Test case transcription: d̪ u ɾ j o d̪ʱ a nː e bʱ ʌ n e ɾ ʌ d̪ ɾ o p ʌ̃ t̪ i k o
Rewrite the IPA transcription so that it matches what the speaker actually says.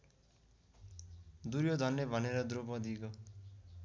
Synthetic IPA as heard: d̪ u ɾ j o d̪ʱ ʌ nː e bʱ ʌ n e ɾ ʌ d̪ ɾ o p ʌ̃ d̪ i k o